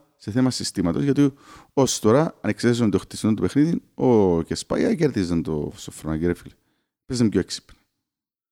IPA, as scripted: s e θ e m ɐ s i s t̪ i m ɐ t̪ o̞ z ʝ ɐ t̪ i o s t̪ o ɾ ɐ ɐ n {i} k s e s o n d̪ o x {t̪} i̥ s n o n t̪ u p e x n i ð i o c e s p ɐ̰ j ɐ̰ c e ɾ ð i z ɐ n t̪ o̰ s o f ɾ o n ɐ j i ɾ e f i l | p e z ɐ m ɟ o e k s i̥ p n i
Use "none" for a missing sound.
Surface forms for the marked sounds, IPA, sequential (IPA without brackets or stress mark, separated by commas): e, t̪